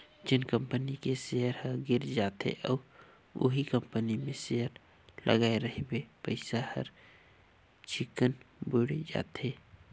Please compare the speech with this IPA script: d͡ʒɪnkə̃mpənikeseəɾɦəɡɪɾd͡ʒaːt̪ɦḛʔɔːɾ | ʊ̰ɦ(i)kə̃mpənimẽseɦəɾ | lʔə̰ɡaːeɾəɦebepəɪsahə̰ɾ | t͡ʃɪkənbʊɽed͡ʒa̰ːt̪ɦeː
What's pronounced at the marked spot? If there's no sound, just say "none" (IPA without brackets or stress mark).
i